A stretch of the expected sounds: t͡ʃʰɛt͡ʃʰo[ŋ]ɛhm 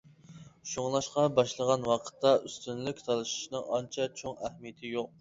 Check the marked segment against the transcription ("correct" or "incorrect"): correct